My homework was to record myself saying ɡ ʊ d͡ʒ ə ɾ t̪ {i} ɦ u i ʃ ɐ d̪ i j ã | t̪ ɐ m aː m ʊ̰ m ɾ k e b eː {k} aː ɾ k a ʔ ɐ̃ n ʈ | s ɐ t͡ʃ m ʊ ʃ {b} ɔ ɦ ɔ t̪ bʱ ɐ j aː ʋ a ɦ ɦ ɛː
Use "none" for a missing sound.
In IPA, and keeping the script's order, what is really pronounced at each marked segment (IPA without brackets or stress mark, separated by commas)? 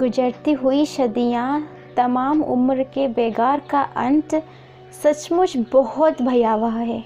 i, ɡ, b